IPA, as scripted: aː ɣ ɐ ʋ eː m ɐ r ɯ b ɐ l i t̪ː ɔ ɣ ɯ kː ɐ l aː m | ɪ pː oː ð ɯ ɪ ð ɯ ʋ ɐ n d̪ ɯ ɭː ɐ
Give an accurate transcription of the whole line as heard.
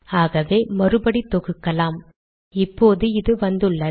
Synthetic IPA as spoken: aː ɣ ɐ ʋ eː m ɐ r ɯ b ɐ ɽ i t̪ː ɔ ɣ ɯ kː ɐ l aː m | ɪ pː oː ð ɯ ɪ ð ɯ ʋ ɐ n d̪ ɯ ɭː ɐ